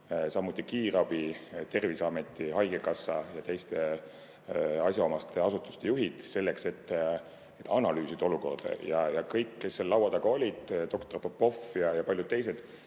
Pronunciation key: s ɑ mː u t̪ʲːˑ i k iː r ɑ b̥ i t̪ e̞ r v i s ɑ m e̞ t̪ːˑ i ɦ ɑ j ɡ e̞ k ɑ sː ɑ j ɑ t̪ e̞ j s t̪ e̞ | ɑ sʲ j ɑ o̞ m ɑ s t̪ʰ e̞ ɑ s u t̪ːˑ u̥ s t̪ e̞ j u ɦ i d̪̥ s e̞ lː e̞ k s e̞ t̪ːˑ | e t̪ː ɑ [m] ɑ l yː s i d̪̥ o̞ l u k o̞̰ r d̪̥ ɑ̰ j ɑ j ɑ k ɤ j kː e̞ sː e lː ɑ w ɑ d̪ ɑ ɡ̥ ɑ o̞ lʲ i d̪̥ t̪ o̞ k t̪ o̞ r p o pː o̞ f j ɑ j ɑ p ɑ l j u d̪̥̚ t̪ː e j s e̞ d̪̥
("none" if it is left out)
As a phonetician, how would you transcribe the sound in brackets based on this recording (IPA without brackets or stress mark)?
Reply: n